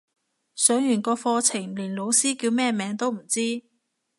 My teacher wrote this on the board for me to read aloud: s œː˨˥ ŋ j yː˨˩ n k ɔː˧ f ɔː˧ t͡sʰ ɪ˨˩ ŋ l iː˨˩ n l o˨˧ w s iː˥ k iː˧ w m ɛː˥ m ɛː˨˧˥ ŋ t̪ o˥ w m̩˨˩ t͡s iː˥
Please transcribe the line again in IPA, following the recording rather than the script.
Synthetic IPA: s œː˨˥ ŋ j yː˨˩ n k ɔː˧ f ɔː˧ t͡sʰ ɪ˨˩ ŋ l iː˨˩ n l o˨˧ w s iː˥ k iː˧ w m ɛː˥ m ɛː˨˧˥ ŋ t̪ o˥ w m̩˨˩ t͡s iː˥

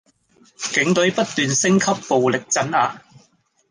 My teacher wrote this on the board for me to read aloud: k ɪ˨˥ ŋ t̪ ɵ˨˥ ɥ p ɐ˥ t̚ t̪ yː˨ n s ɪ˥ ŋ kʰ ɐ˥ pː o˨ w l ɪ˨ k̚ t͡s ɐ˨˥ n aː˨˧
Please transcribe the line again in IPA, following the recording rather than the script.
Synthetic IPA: k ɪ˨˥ ŋ t̪ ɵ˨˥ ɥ p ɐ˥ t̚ t̪ yː˨ n s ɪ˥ ŋ kʰ ɐ˥ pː o˨ w l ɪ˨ k̚ t͡s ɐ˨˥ n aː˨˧

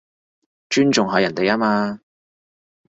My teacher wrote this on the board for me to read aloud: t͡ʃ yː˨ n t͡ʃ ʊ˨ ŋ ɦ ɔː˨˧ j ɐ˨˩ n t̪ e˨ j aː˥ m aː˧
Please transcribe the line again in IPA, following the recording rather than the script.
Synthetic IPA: t͡ʃ yː˥ n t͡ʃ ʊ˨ ŋ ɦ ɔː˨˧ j ɐ˨˩ n t̪ e˨ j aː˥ m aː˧

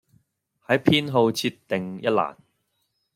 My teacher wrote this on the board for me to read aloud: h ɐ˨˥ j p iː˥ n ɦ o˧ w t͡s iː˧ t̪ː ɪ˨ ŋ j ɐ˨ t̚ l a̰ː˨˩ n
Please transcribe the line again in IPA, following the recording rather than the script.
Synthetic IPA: h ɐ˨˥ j pʰ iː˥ n ɦ o˧ w t͡sʰ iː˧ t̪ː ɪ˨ ŋ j ɐ˥ t̚ l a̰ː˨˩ n

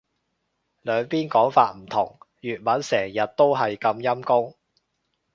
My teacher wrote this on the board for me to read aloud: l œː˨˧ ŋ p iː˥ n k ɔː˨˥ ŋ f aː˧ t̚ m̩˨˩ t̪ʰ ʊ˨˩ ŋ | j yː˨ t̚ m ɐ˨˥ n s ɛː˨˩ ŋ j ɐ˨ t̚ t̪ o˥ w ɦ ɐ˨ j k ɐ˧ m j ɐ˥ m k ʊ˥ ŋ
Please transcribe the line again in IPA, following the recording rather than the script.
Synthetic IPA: l œː˨˧ ŋ p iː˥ n k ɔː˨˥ ŋ f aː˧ t̚ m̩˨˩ t̪ʰ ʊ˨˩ ŋ | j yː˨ t̚ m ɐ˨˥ n s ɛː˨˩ ŋ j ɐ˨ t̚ t̪ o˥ w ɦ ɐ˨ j k ɐ˧ m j ɐ˥ m k ʊ˥ ŋ

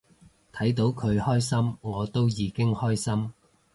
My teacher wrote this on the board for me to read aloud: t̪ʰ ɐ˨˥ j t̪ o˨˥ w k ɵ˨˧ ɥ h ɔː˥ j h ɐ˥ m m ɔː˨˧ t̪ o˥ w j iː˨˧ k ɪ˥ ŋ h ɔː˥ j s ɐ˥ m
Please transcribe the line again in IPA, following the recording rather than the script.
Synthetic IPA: t̪ʰ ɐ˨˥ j t̪ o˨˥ w kʰ ɵ˨˧ ɥ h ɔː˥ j s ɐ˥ m ŋ ɔː˨˧ t̪ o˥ w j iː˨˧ k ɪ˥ ŋ h ɔː˥ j s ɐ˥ m

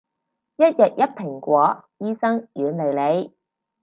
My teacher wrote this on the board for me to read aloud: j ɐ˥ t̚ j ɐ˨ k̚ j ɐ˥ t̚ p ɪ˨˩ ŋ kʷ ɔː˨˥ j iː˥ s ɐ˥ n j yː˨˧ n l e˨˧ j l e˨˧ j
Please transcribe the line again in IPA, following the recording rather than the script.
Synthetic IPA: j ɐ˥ t̚ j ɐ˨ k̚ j ɐ˥ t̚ pʰ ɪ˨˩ ŋ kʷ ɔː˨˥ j iː˥ s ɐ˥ ŋ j yː˨˧ n l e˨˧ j l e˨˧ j

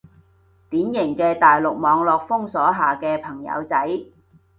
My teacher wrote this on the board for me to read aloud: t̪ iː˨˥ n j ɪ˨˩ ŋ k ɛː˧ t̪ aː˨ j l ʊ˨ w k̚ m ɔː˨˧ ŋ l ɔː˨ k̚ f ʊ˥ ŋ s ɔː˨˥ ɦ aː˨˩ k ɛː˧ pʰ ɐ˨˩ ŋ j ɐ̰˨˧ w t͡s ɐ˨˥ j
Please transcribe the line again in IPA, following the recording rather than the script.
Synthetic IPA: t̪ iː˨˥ n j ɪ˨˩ ŋ k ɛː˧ t̪ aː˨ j l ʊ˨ k̚ m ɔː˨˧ ŋ l ɔː˨ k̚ f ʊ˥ ŋ s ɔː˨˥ ɦ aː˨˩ k ɛː˧ pʰ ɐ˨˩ ŋ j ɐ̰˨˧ w t͡s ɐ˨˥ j

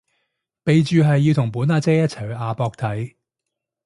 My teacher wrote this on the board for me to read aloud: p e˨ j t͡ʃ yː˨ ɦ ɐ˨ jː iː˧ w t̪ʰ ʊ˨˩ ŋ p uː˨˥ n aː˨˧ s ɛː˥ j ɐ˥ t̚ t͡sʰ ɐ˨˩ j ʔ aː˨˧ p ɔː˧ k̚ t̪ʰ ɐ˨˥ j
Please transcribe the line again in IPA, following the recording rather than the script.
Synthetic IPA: p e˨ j t͡ʃ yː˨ ɦ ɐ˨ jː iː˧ w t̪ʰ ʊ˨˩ ŋ p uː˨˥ n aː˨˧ t͡s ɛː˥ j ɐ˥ t̚ t͡sʰ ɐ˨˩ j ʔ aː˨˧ p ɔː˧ k̚ t̪ʰ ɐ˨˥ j

